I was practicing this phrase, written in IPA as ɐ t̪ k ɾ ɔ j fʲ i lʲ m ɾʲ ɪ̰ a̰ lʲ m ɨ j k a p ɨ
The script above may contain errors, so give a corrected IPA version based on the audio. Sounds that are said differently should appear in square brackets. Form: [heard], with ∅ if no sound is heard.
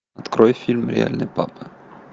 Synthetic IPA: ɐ t̪ k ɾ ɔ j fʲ i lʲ m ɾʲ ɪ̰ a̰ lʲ [n] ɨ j [p] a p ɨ